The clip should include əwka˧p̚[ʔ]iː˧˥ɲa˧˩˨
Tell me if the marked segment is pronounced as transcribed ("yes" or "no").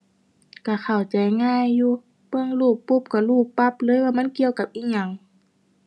yes